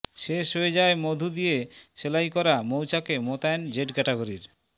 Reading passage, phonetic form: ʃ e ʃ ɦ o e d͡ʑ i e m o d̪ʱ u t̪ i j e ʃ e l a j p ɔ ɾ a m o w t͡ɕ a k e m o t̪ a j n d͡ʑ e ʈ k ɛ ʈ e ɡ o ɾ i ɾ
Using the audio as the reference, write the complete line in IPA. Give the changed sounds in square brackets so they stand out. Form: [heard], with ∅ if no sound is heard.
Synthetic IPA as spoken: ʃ e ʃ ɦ o e d͡ʑ [a] e m o d̪ʱ u [d̪] i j e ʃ e l a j [k] ɔ ɾ a m o w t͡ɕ a k e m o t̪ a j n d͡ʑ e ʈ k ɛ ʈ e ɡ o ɾ i ɾ